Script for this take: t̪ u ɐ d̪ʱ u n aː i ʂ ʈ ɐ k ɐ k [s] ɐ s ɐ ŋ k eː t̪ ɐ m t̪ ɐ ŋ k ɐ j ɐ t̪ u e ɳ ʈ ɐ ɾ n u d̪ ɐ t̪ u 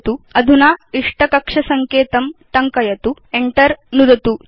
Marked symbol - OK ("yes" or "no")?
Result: no